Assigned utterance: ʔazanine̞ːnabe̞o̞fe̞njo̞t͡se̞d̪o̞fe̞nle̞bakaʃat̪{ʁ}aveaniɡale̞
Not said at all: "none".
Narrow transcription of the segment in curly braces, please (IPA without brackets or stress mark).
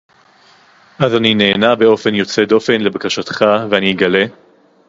χ